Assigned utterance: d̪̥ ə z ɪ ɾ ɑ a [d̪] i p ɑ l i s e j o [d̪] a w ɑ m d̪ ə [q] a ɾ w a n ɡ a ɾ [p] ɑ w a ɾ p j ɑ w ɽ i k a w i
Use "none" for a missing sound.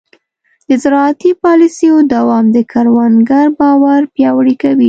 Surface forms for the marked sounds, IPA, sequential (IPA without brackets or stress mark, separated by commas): t̪, d̪, k, b